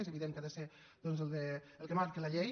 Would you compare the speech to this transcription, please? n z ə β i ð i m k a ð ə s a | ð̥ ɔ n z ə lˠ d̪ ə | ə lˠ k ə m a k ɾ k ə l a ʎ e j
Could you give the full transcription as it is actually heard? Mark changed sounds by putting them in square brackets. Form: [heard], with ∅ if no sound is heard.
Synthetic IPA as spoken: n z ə β i ð [e] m k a ð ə s [e] | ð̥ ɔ n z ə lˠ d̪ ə | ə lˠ k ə m a [∅] ɾ k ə l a ʎ e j